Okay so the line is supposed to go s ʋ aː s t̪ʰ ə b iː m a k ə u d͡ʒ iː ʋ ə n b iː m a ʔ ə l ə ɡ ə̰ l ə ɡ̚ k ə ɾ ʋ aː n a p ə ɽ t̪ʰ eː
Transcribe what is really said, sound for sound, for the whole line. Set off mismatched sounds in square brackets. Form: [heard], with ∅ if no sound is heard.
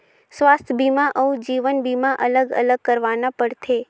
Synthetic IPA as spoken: s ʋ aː s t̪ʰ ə b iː m a [ʔ] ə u d͡ʒ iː ʋ ə n b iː m a ʔ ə l ə ɡ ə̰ l ə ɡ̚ k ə ɾ ʋ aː n a p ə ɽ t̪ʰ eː

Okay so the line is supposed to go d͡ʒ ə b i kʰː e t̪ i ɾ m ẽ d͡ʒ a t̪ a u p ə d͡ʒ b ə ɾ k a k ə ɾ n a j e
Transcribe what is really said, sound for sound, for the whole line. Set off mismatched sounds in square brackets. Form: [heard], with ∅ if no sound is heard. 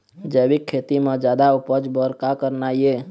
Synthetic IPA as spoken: d͡ʒ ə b i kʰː e t̪ i [∅] m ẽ d͡ʒ a [d̪] a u p ə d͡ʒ b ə ɾ k a k ə ɾ n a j e

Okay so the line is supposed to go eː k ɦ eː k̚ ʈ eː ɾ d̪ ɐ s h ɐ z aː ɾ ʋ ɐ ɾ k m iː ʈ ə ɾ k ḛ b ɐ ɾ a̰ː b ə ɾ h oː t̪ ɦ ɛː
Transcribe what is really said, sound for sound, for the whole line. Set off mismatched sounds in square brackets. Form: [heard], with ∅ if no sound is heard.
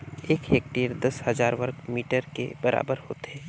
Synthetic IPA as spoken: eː k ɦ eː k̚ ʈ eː ɾ d̪ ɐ s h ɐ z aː ɾ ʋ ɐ ɾ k m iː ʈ ə ɾ k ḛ b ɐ ɾ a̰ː b ə ɾ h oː t̪ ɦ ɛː

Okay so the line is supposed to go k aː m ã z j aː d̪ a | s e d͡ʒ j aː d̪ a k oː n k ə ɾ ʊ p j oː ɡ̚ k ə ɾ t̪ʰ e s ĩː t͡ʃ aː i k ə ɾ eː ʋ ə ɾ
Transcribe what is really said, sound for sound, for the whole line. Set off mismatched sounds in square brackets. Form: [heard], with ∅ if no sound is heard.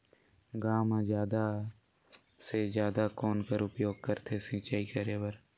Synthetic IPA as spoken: [ɡ] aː m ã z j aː d̪ a | s e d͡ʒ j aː d̪ a k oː n k ə ɾ ʊ p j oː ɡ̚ k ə ɾ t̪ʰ e s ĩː t͡ʃ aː i k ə ɾ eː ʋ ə ɾ

